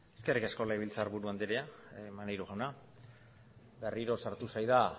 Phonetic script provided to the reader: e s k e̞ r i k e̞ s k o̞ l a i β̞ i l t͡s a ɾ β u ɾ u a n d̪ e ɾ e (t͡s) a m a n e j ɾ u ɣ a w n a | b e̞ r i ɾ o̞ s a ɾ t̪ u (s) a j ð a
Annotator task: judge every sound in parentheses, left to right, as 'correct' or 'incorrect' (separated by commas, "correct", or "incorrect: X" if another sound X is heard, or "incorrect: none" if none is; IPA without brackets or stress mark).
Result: incorrect: none, correct